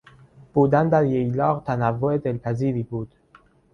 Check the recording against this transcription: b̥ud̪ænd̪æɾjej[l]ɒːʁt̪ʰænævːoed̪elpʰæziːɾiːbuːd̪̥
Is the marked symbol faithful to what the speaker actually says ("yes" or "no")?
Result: yes